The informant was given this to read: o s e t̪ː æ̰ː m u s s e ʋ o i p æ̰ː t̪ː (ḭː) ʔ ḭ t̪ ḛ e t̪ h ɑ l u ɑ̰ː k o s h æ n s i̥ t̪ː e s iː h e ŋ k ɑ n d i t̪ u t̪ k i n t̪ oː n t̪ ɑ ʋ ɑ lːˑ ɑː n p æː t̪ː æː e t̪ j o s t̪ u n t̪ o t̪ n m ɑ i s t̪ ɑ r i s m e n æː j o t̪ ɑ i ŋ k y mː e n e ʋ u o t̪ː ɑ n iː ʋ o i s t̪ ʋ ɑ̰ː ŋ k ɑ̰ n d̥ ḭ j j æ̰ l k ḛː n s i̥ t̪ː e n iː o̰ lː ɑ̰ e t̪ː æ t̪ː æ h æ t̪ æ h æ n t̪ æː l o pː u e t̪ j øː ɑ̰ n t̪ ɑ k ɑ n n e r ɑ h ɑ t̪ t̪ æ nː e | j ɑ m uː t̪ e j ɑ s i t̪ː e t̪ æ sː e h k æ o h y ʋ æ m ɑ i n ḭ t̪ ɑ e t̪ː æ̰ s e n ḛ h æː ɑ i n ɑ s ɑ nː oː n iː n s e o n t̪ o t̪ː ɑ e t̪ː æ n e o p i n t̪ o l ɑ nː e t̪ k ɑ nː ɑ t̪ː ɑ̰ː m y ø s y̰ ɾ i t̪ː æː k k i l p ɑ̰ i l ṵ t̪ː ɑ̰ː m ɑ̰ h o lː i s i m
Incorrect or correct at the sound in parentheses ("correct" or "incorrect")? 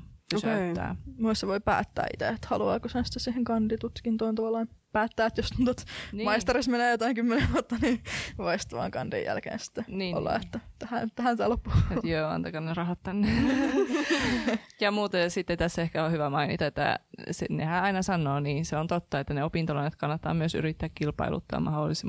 incorrect